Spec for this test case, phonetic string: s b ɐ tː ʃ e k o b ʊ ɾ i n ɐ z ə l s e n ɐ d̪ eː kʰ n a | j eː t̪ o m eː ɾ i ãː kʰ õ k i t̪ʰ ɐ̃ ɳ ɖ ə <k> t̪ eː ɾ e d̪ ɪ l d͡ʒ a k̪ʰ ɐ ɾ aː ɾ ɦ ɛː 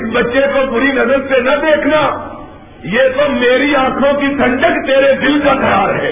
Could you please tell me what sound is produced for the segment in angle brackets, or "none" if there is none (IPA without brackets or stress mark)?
k